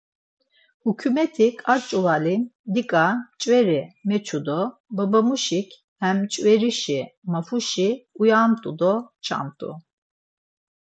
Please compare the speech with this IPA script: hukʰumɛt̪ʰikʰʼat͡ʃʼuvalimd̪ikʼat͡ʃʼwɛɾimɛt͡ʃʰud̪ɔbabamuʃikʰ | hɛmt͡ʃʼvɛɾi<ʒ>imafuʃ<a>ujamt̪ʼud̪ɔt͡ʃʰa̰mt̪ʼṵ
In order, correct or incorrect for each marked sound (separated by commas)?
incorrect, incorrect